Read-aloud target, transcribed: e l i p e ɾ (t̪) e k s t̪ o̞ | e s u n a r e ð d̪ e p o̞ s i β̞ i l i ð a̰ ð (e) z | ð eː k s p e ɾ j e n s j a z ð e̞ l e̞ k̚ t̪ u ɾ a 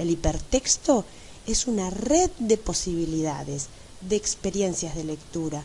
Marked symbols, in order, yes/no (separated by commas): yes, yes